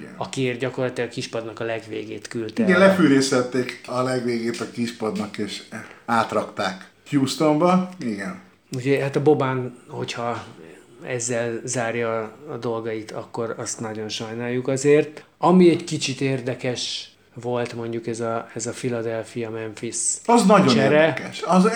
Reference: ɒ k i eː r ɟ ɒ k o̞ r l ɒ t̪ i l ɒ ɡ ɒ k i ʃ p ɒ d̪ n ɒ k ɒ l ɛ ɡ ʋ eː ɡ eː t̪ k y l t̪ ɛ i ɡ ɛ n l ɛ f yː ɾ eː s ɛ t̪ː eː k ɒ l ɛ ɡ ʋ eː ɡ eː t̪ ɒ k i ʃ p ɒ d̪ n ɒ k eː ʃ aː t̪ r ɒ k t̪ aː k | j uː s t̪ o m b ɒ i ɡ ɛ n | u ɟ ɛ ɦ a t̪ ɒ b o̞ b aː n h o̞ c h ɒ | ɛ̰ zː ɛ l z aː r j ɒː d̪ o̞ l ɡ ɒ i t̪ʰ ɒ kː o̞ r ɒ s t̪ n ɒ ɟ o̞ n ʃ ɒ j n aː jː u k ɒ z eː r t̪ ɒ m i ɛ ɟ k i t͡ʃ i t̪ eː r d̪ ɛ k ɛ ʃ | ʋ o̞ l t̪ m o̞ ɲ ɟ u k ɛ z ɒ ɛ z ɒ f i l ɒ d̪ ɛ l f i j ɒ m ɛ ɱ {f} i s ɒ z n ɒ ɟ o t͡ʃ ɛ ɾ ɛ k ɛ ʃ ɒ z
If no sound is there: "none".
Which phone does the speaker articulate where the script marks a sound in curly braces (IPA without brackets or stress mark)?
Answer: f